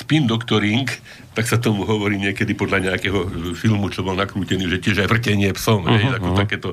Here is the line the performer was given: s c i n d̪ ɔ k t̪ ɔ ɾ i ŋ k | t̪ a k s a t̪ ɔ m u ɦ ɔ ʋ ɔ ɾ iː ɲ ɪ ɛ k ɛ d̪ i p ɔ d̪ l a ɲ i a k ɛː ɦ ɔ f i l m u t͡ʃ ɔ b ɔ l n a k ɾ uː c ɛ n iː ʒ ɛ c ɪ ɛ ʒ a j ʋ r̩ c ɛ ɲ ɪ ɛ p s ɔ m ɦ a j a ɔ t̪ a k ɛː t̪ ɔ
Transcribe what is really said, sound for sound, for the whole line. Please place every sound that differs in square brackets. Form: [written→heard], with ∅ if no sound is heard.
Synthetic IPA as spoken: s [c→p] i n d̪ ɔ k t̪ ɔ ɾ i ŋ k | t̪ a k s a t̪ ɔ m u ɦ ɔ ʋ ɔ ɾ iː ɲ ɪ ɛ k ɛ d̪ i p ɔ d̪ l a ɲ [i→ɛ] a k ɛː ɦ ɔ f i l m u t͡ʃ ɔ b ɔ l n a k ɾ uː c ɛ n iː ʒ ɛ c ɪ ɛ ʒ a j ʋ r̩ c ɛ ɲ ɪ ɛ p s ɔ m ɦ [a→ɛ] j a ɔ t̪ a k ɛː t̪ ɔ